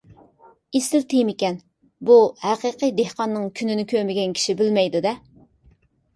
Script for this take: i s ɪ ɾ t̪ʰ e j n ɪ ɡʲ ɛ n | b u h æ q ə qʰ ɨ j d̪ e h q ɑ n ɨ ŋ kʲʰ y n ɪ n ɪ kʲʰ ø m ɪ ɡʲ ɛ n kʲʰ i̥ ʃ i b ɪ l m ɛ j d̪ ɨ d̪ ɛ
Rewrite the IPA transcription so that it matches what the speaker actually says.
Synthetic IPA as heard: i s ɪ ɾ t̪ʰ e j m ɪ kʲ ɛ n | b u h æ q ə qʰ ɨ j d̪ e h q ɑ nː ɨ ŋ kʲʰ y n ɪ n ɪ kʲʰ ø m ɪ ɡʲ ɛ n kʲʰ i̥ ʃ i b ɪ l m ɛ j d̪ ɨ d̪ ɛ